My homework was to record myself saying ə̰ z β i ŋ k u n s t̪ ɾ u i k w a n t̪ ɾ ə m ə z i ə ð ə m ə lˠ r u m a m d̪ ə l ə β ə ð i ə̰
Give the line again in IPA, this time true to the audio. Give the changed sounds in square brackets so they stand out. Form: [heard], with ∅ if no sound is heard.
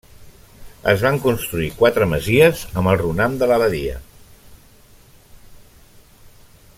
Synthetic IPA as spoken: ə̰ z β [a] ŋ k u n s t̪ ɾ u i k w a [∅] t̪ ɾ ə m ə z i ə [z] ə m ə lˠ r u [n] a m d̪ ə l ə β ə ð i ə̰